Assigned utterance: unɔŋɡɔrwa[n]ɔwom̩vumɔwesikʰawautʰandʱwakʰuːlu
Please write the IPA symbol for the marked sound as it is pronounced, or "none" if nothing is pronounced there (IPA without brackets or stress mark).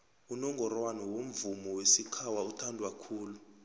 n